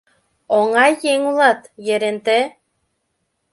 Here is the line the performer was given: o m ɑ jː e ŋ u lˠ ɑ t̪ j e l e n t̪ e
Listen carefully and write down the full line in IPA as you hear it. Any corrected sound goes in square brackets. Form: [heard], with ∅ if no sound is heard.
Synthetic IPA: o [ŋ] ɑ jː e ŋ u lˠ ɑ t̪ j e [ɾ] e n t̪ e